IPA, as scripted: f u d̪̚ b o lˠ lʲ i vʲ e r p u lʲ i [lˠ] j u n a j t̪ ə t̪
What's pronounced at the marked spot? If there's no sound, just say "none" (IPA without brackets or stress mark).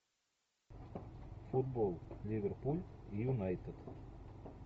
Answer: none